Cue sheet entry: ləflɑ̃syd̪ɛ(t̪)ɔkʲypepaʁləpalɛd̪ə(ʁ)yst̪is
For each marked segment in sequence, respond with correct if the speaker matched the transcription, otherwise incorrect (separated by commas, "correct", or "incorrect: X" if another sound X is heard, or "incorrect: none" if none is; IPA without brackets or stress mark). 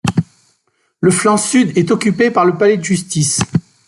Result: correct, incorrect: ʒ